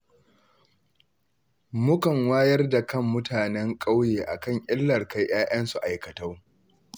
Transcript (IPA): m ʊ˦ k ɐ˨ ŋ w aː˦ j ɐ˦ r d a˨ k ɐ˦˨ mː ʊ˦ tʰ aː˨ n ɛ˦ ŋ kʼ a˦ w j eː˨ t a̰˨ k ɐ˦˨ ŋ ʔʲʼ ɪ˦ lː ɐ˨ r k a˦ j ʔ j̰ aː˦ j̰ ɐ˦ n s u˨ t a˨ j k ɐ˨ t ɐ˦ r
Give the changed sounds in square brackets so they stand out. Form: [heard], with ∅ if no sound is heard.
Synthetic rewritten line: m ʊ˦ k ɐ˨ ŋ w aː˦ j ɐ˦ r d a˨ k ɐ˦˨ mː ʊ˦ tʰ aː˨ n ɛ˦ ŋ kʼ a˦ w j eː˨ [ʔ] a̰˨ k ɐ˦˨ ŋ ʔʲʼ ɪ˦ lː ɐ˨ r k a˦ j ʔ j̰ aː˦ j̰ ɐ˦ n s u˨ [ʔ] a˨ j k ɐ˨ t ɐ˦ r

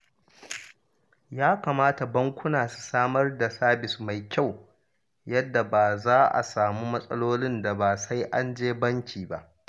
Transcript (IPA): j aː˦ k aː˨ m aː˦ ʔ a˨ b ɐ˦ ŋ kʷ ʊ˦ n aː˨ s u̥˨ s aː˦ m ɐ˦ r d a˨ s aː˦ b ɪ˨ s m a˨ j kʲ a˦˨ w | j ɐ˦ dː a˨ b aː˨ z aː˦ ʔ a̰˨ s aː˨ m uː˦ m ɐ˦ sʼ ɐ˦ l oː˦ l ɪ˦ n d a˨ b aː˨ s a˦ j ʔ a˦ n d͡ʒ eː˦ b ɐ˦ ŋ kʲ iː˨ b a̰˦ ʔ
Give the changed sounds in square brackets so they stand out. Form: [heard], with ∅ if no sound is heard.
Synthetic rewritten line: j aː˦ k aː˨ m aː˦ [t] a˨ b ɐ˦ ŋ kʷ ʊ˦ n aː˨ s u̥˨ s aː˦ m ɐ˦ r d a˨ s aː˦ b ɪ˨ s m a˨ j kʲ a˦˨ w | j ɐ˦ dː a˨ b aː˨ z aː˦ ʔ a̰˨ s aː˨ m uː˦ m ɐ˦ sʼ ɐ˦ l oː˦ l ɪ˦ n d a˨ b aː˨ s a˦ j ʔ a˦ n d͡ʒ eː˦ b ɐ˦ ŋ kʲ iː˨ b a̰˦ ʔ

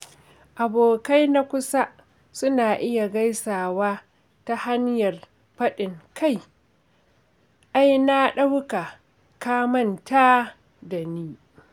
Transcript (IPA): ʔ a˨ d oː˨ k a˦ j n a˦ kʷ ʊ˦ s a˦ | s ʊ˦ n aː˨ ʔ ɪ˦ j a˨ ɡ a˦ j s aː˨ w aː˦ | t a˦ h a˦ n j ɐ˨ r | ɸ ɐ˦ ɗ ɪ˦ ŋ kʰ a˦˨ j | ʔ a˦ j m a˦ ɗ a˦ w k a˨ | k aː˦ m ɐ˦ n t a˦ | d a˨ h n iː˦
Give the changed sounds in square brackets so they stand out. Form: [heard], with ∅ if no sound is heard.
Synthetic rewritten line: ʔ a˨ [b] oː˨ k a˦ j n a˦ kʷ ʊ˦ s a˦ | s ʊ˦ n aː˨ ʔ ɪ˦ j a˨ ɡ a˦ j s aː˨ w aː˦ | t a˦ h a˦ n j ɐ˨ r | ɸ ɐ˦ ɗ [ɪ˨] ŋ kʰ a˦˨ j | ʔ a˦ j [n] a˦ ɗ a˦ w k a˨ | k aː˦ m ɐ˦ n t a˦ | d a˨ [∅] n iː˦

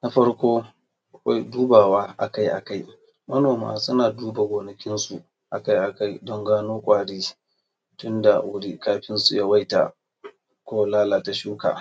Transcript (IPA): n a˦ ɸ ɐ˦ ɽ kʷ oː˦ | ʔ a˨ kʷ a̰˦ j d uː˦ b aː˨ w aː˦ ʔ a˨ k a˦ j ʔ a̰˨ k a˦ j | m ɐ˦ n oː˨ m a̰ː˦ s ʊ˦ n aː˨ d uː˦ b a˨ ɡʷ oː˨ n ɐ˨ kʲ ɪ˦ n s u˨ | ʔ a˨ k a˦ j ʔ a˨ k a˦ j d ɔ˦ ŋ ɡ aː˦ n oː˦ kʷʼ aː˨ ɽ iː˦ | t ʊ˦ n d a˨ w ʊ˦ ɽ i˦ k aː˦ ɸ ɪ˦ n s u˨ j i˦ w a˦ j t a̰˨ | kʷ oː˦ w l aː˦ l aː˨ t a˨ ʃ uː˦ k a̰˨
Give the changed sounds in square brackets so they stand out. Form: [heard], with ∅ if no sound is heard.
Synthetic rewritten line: n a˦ ɸ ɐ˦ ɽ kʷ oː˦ | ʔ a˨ kʷ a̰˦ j d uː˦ b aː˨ w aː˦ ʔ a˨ k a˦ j ʔ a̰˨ k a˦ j | m ɐ˦ n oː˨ m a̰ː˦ s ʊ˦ n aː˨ d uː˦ b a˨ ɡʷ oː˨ n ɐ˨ kʲ ɪ˦ n s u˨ | ʔ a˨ k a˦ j ʔ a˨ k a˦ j d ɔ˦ ŋ ɡ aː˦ n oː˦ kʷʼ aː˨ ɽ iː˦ | t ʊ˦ n d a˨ w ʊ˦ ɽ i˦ k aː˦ ɸ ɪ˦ n s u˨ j [a˦] w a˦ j t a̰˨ | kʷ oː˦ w l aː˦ l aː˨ t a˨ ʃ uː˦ k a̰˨

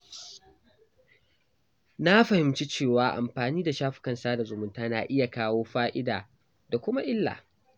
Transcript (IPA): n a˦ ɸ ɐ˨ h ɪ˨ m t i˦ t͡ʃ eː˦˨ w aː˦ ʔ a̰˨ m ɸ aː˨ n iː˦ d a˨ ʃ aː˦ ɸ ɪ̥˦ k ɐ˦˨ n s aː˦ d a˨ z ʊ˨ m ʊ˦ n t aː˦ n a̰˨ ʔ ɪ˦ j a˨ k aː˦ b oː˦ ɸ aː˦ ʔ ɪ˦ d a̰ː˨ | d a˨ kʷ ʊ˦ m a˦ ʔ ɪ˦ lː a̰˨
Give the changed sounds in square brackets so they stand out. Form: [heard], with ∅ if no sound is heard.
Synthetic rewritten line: n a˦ ɸ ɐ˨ h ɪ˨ m [t͡ʃ] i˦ t͡ʃ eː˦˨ w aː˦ ʔ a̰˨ m ɸ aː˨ n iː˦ d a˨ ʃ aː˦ ɸ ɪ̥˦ k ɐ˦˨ n s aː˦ d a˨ z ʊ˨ m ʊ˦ n t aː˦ n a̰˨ ʔ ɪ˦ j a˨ k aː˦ [w] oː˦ ɸ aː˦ ʔ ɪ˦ d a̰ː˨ | d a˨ kʷ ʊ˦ m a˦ ʔ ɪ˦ lː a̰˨

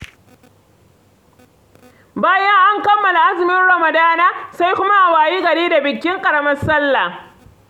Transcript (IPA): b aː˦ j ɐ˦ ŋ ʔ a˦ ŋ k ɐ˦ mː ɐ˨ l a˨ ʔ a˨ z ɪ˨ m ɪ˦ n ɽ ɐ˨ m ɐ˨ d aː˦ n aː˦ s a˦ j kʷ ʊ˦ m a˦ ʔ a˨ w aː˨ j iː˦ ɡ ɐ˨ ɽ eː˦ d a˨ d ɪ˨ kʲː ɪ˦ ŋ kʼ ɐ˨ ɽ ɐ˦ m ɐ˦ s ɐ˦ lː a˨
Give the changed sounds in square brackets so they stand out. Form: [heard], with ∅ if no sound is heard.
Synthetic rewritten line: b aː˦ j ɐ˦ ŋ ʔ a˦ ŋ k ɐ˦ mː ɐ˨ l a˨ ʔ [a˦] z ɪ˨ m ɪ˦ n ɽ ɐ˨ m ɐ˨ d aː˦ n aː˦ s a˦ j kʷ ʊ˦ m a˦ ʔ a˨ w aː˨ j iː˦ ɡ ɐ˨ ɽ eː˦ d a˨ [b] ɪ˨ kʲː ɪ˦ ŋ kʼ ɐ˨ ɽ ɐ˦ m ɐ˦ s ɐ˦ lː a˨

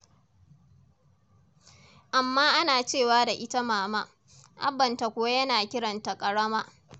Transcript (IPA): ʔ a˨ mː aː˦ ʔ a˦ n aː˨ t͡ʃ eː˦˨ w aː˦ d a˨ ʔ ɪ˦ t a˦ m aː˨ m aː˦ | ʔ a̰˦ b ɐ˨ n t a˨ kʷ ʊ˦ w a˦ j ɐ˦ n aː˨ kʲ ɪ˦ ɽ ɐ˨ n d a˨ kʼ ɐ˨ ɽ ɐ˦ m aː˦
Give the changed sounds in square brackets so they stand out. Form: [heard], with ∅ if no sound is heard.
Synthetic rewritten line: ʔ a˨ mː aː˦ ʔ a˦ n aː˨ t͡ʃ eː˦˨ w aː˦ d a˨ ʔ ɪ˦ t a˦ m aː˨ m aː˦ | ʔ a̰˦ b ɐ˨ n t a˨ kʷ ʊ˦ w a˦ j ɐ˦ n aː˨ kʲ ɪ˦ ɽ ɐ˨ n [t] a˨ kʼ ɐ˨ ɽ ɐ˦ m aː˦

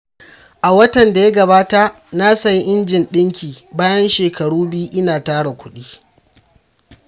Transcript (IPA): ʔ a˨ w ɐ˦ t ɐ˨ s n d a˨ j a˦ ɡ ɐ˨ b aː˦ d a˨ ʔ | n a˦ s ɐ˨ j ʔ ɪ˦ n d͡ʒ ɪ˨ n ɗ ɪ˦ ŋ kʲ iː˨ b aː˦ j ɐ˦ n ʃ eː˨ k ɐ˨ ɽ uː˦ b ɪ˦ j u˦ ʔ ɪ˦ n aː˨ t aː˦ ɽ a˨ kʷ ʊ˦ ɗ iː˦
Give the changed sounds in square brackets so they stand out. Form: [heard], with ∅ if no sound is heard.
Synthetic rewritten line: ʔ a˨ w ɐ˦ t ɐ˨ [∅] n d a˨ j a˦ ɡ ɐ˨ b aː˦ [t] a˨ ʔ | n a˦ s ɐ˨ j ʔ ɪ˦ n d͡ʒ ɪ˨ n ɗ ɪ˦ ŋ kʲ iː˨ b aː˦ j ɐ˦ n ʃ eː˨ k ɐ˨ ɽ uː˦ b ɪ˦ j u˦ ʔ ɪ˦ n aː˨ t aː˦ ɽ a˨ kʷ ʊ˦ ɗ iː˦

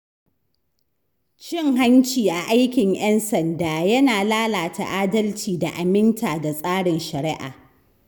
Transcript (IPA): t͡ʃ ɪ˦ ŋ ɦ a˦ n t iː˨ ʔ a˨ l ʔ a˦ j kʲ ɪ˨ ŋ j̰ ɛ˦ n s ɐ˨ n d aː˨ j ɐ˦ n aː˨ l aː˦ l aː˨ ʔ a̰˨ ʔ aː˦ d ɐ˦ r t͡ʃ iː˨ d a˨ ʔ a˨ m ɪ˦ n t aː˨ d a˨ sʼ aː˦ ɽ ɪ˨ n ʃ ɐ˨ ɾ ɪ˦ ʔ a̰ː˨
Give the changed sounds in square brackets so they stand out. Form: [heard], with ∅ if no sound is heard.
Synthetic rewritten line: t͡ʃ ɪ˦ ŋ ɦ a˦ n [t͡ʃ] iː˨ ʔ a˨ [∅] ʔ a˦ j kʲ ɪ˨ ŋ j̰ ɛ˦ n s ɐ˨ n d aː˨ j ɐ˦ n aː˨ l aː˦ l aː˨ [t] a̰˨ ʔ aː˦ d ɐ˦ [l] t͡ʃ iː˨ d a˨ ʔ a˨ m ɪ˦ n t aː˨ d a˨ sʼ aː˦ ɽ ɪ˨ n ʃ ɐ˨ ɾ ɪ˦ ʔ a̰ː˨

